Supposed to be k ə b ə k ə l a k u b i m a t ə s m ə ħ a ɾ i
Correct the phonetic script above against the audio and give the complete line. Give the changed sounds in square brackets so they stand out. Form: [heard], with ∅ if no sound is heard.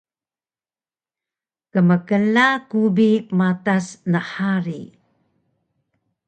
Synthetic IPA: k ə [m] ə k ə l a k u b i m a t [a] s [n] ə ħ a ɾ i